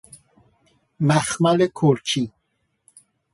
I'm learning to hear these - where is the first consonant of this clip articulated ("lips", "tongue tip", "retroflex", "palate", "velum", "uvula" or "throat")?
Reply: lips